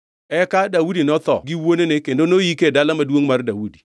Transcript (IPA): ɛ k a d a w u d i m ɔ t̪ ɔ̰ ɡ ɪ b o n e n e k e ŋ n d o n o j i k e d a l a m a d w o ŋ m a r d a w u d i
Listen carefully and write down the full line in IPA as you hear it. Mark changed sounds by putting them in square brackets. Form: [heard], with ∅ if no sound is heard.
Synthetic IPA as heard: ɛ k a d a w u d i [n] ɔ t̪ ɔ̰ ɡ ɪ [w] o n e n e k e [∅] n d o n o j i k e d a l a m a d w o ŋ m a r d a w u d i